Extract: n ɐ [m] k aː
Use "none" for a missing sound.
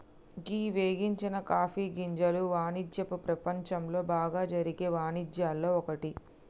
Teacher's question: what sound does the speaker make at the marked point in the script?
none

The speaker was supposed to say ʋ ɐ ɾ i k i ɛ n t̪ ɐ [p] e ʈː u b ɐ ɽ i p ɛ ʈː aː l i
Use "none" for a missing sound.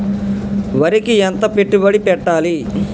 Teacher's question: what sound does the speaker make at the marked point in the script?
p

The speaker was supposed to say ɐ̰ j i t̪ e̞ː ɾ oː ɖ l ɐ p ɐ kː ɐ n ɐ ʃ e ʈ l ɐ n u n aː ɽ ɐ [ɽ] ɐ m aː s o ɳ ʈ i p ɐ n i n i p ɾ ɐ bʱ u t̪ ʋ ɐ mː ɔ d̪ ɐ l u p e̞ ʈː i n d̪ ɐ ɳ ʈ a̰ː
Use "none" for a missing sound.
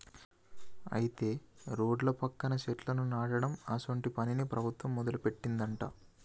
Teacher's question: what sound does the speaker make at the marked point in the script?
ɽ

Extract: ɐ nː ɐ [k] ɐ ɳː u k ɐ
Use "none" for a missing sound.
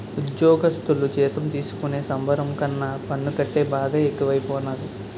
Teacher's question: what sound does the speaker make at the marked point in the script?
p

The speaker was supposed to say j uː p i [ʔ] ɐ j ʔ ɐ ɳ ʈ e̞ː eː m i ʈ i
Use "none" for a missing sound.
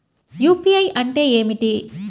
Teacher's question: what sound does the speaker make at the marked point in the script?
none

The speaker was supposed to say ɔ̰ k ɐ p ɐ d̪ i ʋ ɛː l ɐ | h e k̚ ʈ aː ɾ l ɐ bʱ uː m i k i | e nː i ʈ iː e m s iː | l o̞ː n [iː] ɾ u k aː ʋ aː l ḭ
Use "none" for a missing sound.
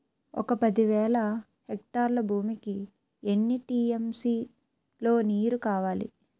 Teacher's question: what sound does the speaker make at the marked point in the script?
iː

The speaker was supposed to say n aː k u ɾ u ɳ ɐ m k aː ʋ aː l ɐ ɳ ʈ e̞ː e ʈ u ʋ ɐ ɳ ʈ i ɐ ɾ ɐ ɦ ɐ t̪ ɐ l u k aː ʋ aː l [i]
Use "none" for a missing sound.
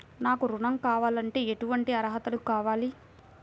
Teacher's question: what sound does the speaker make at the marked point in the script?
i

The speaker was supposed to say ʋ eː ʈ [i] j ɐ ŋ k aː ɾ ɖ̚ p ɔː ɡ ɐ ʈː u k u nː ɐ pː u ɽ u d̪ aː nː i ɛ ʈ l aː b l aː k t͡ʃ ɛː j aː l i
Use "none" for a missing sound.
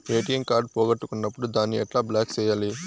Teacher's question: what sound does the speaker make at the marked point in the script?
i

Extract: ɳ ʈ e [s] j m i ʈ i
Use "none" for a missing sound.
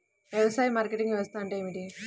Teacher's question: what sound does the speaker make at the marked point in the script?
none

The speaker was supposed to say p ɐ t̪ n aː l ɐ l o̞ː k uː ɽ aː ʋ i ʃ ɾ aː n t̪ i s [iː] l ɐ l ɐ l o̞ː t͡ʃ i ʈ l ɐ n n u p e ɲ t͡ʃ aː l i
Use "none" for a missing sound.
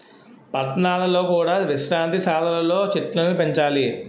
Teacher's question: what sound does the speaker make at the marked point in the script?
aː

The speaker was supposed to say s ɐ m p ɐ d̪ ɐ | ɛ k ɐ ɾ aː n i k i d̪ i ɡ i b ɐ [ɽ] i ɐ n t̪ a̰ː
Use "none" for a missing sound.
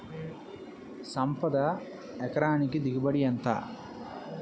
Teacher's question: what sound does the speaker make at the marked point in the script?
ɽ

